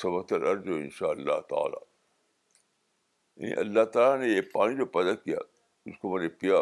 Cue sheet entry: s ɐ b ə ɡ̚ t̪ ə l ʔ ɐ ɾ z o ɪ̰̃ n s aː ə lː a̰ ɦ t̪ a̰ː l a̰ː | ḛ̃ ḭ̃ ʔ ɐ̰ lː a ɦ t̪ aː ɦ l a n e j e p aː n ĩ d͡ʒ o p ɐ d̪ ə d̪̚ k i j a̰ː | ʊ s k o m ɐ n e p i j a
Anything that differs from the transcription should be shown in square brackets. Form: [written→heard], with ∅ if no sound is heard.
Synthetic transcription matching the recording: s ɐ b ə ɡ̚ t̪ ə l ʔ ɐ ɾ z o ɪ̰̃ n [s→ʃ] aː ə lː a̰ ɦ t̪ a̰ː l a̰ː | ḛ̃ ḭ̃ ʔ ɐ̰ lː a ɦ t̪ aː [ɦ→∅] l a n e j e p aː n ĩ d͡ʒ o p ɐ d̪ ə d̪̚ k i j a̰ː | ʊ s k o m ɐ n e p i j a